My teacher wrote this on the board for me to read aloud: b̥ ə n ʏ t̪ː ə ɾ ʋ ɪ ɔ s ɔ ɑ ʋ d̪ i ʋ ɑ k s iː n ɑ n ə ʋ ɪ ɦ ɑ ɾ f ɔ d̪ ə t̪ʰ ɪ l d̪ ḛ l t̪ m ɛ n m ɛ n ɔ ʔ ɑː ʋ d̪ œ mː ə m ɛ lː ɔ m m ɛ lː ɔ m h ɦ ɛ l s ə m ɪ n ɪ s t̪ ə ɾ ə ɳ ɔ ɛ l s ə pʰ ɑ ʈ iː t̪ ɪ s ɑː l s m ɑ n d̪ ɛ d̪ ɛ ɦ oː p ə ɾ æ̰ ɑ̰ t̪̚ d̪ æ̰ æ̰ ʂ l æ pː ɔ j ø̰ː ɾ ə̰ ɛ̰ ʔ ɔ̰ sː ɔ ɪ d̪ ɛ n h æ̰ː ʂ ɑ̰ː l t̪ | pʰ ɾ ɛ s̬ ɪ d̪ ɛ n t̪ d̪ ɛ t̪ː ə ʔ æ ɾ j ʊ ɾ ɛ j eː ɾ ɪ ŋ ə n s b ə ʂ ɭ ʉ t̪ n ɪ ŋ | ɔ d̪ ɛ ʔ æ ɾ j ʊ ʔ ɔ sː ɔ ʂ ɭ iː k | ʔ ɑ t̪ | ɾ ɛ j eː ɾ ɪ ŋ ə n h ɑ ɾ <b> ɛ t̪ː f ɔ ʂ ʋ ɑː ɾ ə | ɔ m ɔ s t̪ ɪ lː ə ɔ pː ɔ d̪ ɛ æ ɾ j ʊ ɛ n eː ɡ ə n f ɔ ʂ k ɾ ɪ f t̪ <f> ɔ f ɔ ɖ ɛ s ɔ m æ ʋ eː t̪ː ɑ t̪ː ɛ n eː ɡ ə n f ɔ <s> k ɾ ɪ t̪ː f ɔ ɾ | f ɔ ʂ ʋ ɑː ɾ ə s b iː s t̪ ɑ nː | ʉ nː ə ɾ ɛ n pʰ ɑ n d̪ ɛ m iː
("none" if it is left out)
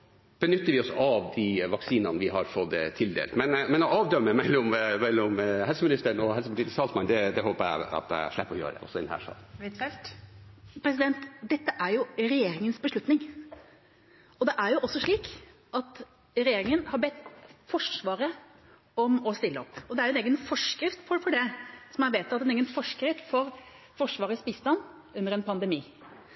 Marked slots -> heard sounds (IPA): b, f, ʂ

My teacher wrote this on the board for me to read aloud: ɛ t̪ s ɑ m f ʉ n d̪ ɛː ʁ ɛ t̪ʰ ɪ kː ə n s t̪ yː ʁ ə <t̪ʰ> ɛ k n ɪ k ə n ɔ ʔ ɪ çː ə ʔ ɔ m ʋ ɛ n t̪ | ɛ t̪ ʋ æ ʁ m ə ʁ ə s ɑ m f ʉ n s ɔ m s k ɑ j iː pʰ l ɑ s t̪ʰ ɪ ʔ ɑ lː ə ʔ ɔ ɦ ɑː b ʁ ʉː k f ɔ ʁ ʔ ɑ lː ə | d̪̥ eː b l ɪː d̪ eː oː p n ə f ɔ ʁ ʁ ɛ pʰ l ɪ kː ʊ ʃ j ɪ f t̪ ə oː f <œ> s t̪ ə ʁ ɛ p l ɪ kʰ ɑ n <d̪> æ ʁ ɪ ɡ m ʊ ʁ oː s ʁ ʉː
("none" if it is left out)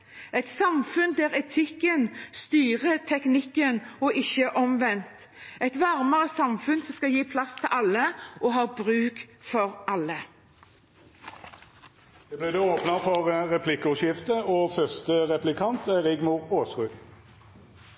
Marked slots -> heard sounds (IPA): t̪ʰ, œ, t̪

